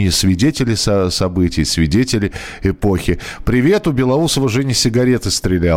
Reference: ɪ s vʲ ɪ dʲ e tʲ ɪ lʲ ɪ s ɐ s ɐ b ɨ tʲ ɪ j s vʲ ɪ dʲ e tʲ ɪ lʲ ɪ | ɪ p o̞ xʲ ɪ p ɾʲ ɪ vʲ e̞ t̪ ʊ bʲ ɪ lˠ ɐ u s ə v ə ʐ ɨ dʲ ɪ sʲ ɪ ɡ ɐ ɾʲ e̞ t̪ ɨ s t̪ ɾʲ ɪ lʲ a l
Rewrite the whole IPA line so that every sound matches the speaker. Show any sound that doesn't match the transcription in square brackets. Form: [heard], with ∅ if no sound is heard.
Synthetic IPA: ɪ s vʲ ɪ dʲ e tʲ ɪ lʲ ɪ s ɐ s ɐ b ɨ tʲ ɪ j s vʲ ɪ dʲ e tʲ ɪ lʲ ɪ | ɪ p o̞ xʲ ɪ p ɾʲ ɪ vʲ e̞ t̪ ʊ bʲ ɪ lˠ ɐ u s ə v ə ʐ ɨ [nʲ] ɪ sʲ ɪ ɡ ɐ ɾʲ e̞ t̪ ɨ s t̪ ɾʲ ɪ lʲ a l